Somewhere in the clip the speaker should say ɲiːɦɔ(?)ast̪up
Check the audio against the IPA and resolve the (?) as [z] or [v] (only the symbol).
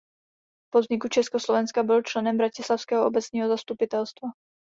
z